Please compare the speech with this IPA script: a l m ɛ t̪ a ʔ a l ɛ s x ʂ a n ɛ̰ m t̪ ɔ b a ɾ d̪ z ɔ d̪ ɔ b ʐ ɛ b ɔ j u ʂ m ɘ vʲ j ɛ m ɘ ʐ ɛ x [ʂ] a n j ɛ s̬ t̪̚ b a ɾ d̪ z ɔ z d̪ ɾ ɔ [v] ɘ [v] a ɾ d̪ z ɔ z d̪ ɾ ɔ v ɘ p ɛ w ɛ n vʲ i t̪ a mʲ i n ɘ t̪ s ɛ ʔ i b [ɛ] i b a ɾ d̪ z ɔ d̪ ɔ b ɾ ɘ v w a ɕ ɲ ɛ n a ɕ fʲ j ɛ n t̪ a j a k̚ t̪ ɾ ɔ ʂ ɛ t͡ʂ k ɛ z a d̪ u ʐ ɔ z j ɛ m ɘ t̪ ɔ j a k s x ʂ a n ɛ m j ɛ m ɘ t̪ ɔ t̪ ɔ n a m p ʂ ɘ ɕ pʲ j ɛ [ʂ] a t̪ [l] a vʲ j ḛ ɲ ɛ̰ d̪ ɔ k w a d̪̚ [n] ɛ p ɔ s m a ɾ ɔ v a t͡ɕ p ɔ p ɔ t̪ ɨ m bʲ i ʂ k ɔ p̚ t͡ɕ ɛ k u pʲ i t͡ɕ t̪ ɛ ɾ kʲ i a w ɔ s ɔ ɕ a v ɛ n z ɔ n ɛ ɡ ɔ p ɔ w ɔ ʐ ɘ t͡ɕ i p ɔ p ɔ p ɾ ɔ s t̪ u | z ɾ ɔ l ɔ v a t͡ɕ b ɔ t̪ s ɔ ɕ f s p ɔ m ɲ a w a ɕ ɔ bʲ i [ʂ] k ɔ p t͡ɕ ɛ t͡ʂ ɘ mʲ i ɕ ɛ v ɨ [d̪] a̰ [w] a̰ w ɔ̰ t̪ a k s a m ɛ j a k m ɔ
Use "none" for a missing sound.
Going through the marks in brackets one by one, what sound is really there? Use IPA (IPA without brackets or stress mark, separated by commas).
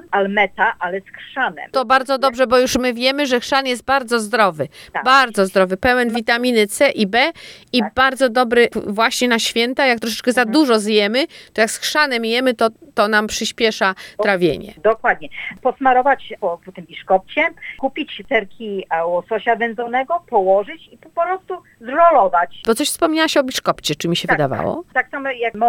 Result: ʂ, v, b, ɛ, ʂ, ɾ, ɲ, ʂ, d̪, v